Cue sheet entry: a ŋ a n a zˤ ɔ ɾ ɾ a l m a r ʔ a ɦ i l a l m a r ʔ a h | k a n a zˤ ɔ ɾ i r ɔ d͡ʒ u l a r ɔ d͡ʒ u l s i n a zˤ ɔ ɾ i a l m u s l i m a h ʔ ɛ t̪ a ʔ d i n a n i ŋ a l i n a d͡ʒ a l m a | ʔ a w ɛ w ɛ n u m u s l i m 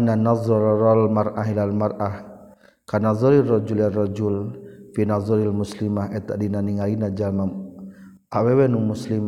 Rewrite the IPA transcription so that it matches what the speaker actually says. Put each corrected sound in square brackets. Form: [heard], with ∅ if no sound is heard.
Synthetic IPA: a [n] a n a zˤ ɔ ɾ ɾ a l m a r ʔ a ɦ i l a l m a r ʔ a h | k a n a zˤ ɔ ɾ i r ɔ d͡ʒ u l a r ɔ d͡ʒ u l [f] i n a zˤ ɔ ɾ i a l m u s l i m a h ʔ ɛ t̪ a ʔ d i n a n i ŋ a l i n a d͡ʒ a l m a | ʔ a w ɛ w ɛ n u m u s l i m